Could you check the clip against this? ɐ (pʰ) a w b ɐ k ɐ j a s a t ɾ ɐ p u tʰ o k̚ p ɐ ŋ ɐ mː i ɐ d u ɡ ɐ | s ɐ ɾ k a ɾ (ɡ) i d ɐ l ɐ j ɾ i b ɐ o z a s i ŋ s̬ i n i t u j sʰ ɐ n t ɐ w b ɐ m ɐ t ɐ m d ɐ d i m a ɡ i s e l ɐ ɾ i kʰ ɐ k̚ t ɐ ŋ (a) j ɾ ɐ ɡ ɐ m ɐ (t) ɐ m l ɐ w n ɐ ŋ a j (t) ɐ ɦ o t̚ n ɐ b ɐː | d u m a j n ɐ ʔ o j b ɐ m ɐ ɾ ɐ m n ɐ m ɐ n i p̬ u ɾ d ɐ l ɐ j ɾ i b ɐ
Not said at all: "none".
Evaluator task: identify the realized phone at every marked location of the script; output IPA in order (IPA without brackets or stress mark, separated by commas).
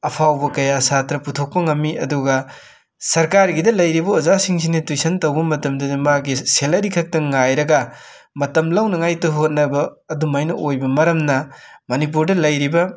pʰ, ɡ, a, t, t